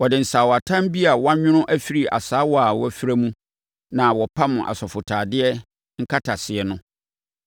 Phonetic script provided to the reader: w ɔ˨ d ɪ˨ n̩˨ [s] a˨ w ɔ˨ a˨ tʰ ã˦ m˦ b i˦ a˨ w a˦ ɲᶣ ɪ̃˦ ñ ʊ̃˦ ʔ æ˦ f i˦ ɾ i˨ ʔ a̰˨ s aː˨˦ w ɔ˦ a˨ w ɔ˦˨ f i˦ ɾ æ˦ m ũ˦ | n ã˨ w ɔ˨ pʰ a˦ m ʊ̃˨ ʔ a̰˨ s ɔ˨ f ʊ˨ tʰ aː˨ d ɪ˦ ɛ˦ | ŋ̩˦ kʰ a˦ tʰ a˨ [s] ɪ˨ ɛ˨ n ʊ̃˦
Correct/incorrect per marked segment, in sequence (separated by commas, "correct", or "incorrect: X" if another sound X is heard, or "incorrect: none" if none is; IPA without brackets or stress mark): correct, correct